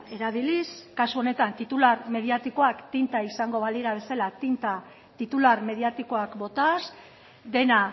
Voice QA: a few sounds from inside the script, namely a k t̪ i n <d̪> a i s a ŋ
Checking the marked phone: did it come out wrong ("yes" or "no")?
yes